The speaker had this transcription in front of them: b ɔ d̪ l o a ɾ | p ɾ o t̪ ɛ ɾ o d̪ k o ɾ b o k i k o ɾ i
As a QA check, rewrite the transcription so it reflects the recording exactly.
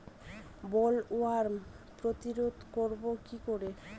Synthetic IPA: b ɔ l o a ɾ | p ɾ o t̪ i ɾ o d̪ k o ɾ b o k i k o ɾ e